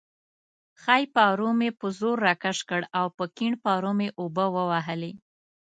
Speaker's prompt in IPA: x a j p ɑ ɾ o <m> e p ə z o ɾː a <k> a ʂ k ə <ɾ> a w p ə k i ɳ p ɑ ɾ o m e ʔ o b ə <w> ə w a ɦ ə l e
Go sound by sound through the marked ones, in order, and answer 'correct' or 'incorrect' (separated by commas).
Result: correct, correct, incorrect, correct